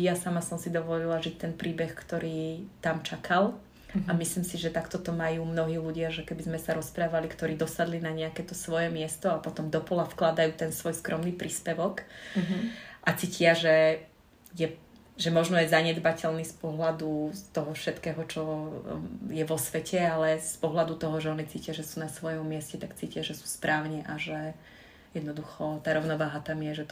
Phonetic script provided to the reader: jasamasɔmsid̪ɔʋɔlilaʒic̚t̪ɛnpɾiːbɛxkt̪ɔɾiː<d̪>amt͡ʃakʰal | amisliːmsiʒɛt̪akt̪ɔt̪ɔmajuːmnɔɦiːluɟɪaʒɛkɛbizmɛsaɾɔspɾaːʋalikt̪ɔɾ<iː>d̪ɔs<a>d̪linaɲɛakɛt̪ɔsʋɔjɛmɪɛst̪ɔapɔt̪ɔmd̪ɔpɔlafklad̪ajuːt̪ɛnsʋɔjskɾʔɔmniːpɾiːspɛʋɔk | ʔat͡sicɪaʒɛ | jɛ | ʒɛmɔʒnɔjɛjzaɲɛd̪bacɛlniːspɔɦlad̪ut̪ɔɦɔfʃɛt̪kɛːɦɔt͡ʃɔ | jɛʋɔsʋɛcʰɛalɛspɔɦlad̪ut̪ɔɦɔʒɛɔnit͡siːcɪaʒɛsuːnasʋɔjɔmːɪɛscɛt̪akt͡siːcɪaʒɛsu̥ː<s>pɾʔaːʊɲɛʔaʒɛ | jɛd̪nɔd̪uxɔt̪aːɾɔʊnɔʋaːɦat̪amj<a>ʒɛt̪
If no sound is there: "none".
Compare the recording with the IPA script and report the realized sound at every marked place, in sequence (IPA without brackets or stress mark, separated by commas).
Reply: t̪, iː, a, s, ɛ